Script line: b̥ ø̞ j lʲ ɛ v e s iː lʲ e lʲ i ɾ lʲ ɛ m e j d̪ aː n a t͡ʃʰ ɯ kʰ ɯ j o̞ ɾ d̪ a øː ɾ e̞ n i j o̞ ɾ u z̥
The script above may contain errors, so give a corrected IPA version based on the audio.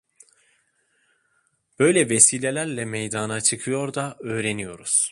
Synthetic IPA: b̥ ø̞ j lʲ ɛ v e s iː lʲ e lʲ æ ɾ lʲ ɛ m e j d̪ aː n a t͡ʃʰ ɯ kʰ ɯ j o̞ ɾ d̪ a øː ɾ e̞ n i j o̞ ɾ u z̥